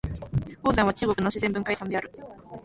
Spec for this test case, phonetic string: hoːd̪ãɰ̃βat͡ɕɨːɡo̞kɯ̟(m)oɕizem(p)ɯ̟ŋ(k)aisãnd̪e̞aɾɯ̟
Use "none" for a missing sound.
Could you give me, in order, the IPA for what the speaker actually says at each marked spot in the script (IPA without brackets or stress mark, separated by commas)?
n, b, k